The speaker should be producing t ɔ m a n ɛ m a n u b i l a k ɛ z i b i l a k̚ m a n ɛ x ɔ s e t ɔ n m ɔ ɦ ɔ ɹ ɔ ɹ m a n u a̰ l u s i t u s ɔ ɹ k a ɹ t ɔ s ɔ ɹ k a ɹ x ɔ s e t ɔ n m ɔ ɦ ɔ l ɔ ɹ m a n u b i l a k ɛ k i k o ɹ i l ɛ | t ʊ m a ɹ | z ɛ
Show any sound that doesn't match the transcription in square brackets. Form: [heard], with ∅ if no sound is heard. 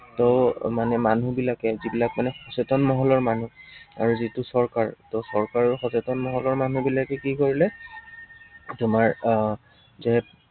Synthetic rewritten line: t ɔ m a n ɛ m a n u b i l a k ɛ z i b i l a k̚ m a n ɛ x ɔ s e t ɔ n m ɔ ɦ ɔ [l] ɔ ɹ m a n u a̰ [ɹ] u [z] i t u s ɔ ɹ k a ɹ t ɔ s ɔ ɹ k a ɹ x ɔ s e t ɔ n m ɔ ɦ ɔ l ɔ ɹ m a n u b i l a k ɛ k i k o ɹ i l ɛ | t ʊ m a ɹ | z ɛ